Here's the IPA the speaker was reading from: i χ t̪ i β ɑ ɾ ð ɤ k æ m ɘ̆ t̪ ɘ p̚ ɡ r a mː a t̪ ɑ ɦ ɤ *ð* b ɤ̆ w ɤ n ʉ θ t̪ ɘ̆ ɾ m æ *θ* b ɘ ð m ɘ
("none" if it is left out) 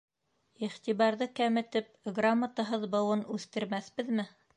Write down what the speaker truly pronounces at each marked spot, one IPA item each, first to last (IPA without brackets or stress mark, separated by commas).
ð, θ